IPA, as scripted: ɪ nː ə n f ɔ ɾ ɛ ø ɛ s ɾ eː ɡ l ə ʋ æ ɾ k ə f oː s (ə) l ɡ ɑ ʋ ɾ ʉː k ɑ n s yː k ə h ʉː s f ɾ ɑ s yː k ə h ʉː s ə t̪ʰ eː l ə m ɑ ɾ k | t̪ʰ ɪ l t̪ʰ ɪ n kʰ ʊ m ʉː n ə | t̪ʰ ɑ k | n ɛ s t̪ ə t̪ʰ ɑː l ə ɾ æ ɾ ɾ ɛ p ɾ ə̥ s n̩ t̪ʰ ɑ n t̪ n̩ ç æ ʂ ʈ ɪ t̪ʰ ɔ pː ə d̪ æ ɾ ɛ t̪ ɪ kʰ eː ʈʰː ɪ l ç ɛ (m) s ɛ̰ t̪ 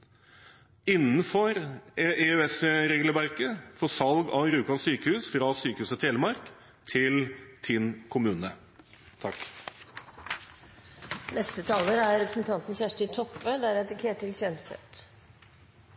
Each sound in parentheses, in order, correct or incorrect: incorrect, incorrect

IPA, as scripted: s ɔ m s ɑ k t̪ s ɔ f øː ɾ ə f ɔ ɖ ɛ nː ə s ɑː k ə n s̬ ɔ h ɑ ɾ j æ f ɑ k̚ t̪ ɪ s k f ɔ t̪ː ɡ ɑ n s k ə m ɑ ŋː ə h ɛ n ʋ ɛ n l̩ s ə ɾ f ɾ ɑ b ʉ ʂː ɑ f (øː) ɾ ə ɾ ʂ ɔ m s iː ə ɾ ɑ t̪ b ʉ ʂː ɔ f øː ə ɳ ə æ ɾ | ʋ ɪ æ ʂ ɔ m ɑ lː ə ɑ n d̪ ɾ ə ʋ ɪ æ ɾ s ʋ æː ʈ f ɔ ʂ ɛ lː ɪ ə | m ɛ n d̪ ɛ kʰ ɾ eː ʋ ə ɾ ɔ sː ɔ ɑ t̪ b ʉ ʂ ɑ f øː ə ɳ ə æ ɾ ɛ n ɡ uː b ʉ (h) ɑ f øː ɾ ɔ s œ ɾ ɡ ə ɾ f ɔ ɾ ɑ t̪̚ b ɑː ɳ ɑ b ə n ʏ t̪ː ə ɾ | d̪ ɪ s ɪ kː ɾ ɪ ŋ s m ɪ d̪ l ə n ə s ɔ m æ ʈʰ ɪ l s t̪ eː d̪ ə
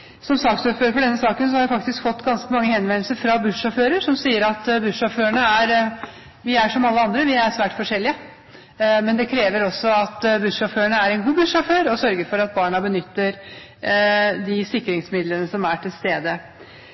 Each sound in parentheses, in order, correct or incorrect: correct, incorrect

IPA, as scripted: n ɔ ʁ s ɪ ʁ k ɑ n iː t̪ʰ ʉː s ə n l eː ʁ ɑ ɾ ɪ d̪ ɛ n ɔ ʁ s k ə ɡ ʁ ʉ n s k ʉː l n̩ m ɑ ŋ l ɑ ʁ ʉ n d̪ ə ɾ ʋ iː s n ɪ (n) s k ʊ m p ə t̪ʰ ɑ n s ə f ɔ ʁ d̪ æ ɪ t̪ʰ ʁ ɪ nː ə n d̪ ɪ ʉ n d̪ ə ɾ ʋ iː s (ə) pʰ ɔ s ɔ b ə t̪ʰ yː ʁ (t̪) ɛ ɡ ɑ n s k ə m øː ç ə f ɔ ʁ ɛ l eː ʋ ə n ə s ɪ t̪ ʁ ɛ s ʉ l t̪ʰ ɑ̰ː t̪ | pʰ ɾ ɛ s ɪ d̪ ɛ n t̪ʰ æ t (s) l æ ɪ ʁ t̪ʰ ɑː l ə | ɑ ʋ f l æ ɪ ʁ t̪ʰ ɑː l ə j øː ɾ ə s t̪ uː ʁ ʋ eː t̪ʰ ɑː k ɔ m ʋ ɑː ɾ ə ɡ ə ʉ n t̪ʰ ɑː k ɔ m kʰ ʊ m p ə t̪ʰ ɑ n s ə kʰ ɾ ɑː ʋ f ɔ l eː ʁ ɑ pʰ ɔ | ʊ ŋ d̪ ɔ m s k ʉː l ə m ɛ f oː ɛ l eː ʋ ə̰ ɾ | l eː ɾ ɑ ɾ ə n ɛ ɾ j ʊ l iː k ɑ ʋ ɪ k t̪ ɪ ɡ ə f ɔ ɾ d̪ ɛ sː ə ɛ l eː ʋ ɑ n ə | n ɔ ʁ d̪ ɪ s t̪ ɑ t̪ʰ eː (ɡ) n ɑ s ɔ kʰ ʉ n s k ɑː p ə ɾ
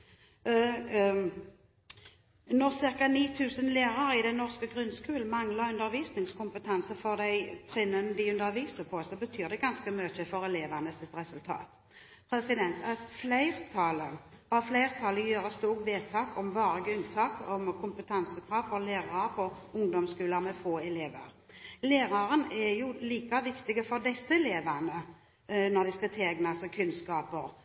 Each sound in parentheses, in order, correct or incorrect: incorrect, correct, incorrect, incorrect, correct

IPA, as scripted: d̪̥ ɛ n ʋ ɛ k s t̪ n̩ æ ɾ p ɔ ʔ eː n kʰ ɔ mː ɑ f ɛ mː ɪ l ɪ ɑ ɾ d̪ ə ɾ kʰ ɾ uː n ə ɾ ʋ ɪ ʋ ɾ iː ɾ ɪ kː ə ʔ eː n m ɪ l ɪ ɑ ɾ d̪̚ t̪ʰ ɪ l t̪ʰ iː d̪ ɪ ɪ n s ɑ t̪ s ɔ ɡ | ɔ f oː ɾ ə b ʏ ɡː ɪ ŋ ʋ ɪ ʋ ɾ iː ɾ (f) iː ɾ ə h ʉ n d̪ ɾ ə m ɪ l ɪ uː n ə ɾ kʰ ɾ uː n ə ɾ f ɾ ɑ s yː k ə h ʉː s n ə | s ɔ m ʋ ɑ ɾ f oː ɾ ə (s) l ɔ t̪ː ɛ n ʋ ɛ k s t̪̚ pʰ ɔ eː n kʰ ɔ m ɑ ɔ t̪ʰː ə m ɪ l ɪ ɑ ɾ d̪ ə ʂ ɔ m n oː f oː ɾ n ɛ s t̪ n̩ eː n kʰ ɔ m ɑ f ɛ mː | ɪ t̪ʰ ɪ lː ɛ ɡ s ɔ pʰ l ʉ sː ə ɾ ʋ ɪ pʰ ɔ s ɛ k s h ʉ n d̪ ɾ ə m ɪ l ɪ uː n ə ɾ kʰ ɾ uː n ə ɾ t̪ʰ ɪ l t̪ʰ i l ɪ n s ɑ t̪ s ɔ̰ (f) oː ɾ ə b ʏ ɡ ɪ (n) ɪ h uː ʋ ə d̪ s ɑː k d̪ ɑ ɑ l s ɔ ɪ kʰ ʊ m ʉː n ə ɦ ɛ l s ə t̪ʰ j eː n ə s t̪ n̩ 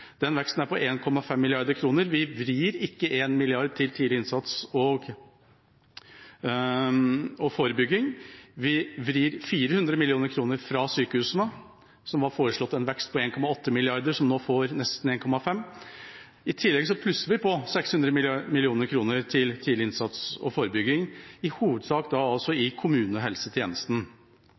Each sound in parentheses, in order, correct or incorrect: correct, incorrect, correct, incorrect

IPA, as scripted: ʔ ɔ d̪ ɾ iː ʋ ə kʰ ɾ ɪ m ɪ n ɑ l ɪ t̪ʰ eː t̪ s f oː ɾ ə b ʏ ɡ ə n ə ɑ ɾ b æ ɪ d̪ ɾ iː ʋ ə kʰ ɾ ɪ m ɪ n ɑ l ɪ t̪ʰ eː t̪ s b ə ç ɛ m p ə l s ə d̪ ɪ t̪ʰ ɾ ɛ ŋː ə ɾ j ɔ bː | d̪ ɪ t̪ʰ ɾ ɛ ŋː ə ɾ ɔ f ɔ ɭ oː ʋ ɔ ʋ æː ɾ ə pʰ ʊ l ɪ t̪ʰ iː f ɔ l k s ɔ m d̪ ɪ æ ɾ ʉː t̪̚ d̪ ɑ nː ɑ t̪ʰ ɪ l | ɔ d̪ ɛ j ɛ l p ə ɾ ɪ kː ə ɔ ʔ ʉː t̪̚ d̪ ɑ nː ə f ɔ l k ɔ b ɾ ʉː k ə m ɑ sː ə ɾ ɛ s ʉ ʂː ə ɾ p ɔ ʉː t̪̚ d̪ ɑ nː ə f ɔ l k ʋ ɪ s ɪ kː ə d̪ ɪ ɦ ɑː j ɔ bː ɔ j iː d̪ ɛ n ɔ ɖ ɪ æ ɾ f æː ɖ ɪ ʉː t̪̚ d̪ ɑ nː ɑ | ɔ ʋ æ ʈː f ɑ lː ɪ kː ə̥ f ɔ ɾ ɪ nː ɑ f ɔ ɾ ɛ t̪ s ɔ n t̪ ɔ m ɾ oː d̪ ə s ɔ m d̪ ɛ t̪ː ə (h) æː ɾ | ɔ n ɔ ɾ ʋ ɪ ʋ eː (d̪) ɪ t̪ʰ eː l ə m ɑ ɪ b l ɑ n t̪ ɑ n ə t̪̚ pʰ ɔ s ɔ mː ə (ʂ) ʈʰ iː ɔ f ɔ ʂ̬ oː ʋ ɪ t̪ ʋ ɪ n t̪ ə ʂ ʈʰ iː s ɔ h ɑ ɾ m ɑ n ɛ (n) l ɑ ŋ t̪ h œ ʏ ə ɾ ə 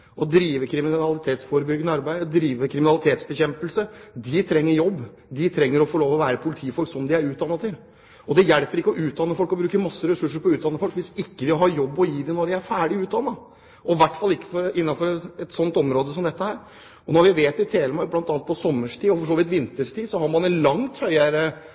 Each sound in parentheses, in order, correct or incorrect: correct, incorrect, correct, correct

